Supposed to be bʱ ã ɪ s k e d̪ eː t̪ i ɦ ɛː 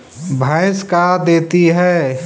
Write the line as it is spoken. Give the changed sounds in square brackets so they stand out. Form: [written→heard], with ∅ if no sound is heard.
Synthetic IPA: bʱ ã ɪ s k [e→a] d̪ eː t̪ i ɦ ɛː